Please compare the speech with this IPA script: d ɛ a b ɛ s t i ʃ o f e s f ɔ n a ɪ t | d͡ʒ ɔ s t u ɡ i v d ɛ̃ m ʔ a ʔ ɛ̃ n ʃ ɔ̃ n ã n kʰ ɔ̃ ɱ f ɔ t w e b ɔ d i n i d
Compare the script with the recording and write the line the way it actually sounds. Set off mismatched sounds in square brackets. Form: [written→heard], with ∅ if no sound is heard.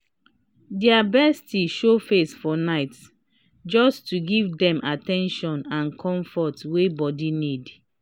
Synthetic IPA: d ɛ a b ɛ s t i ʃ o f e s f ɔ n a ɪ t | d͡ʒ ɔ s t u ɡ i v d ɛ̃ m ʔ a [ʔ→t] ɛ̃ n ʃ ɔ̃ n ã n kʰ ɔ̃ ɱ f ɔ t w e b ɔ d i n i d